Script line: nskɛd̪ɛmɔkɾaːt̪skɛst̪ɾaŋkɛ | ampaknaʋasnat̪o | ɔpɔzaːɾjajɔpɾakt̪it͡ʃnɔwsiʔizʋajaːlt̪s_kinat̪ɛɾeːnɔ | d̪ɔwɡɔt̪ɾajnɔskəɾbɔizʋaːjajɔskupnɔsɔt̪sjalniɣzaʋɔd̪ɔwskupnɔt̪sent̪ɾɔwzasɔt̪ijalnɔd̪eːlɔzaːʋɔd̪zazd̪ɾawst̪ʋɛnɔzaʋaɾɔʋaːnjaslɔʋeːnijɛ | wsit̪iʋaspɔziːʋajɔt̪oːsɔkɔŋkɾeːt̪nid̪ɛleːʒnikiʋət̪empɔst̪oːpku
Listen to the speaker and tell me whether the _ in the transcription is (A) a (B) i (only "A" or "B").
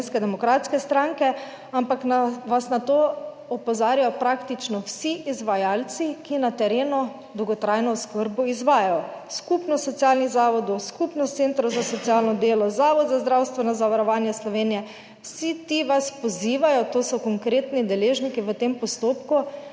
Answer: B